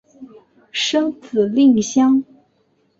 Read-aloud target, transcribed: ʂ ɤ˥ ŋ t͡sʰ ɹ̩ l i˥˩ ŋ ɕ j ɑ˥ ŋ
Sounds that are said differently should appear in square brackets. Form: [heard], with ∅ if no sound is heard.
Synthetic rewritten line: ʂ ɤ˥ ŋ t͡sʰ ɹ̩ l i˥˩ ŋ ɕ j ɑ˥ ŋ